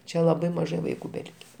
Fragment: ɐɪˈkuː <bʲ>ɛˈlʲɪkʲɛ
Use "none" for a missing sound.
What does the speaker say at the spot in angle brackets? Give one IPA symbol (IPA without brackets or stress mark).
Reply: bʲ